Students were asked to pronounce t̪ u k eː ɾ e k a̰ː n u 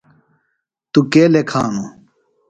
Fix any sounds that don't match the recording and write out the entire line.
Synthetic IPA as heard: t̪ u k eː l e kʰ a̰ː n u